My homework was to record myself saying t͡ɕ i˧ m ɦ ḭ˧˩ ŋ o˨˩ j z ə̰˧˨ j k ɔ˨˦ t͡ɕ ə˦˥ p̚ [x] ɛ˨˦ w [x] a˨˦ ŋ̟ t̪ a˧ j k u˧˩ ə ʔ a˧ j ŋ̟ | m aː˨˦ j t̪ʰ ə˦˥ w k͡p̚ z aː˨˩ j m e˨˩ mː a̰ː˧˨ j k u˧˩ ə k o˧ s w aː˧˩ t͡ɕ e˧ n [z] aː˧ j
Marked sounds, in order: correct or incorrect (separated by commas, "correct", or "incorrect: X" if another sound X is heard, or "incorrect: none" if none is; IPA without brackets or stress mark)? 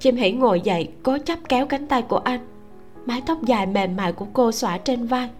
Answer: incorrect: k, incorrect: k, incorrect: v